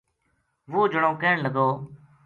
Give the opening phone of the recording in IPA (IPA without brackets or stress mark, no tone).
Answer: ʋ